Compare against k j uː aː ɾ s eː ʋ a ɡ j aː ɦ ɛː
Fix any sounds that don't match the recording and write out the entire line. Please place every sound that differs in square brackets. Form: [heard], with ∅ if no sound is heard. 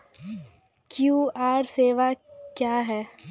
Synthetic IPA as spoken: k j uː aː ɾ s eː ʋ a [k] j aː ɦ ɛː